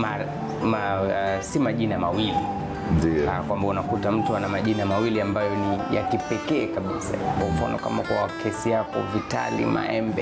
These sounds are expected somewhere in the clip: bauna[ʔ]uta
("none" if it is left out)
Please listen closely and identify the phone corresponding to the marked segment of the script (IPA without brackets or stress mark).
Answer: k